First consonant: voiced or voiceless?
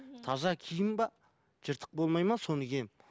voiceless